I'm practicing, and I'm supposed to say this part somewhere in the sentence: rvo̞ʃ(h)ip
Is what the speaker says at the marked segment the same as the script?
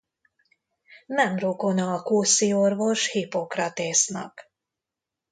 yes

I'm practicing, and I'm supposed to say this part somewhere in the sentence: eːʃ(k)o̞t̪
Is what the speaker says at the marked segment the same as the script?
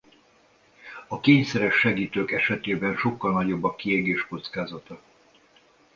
yes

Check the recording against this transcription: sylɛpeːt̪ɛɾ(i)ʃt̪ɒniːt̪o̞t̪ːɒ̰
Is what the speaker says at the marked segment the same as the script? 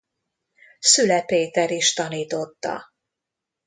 yes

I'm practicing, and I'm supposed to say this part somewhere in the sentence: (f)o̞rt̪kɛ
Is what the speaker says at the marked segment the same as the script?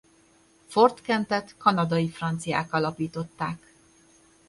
yes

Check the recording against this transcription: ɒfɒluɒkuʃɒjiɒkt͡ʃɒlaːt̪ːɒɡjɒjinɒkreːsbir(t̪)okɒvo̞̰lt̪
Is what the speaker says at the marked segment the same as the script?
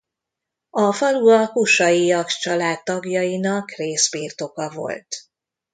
yes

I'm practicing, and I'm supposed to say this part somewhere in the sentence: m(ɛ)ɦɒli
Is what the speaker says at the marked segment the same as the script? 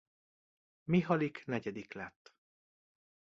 no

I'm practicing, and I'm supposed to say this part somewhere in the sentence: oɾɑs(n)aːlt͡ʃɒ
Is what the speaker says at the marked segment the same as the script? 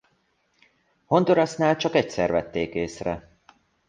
yes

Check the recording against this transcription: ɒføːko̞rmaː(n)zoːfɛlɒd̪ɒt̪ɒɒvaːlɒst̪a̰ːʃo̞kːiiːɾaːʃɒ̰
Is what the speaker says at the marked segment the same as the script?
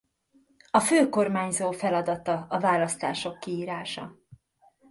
no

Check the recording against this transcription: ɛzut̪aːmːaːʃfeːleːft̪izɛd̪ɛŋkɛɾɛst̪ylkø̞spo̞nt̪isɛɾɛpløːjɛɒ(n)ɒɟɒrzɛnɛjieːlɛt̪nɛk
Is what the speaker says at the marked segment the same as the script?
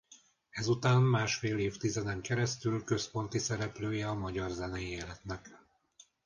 no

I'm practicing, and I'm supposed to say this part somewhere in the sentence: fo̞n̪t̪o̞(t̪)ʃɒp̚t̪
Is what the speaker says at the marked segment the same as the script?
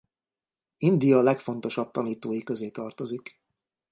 no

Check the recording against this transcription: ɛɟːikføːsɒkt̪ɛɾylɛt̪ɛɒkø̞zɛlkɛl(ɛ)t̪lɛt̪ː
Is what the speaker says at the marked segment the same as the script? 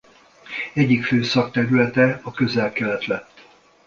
yes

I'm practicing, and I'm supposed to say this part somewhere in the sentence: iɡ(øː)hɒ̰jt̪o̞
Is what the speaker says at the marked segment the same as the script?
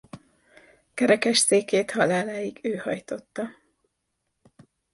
yes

